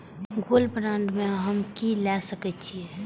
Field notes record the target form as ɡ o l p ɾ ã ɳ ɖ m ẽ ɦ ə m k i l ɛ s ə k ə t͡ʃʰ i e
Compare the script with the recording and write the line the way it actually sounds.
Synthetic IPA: ɡ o l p ɾ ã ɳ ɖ m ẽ ɦ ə m k i l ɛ s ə k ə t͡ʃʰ i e